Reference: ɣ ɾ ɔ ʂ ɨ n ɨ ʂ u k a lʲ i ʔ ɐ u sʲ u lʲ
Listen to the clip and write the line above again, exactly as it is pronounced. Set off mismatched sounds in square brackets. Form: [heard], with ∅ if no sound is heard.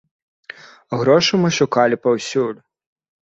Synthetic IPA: ɣ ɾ ɔ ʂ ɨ [m] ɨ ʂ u k a lʲ i [p] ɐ [w] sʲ u lʲ